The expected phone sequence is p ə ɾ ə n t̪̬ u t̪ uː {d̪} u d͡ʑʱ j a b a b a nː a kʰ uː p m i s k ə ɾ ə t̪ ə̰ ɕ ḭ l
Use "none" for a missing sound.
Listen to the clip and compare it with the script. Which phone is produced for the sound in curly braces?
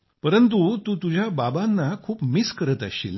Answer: t̪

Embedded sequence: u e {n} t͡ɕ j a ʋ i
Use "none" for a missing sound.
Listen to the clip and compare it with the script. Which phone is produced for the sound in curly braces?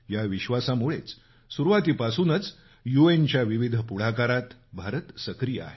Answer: n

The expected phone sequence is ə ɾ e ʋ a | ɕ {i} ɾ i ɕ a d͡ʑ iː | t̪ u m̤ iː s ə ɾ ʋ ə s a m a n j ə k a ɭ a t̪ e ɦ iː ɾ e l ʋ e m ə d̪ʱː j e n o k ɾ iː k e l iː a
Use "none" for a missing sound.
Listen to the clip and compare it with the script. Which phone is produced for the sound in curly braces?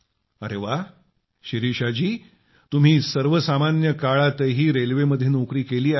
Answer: i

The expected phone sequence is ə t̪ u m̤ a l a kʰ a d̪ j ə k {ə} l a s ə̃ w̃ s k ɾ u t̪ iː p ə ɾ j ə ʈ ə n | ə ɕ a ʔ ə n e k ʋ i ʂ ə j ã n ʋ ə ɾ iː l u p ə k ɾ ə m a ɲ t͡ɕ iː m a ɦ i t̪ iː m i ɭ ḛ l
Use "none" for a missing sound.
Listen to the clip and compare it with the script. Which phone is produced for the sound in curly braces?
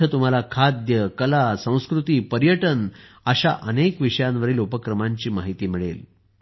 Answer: ə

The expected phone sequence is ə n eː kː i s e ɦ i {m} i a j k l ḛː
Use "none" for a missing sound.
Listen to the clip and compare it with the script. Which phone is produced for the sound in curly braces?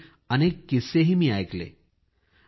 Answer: m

